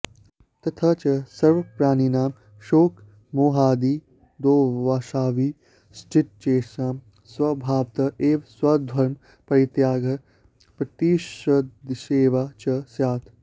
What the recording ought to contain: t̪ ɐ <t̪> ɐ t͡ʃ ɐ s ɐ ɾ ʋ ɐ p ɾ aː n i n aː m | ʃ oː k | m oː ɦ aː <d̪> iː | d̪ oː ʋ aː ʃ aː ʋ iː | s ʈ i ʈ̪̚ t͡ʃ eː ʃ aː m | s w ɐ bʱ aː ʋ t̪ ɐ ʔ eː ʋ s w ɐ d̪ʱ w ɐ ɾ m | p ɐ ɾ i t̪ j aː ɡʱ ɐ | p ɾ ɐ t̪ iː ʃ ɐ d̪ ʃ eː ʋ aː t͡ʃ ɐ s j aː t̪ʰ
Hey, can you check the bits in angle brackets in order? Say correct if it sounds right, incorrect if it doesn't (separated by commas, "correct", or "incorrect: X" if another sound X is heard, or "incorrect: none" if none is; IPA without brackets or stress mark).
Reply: incorrect: t̪ʰ, correct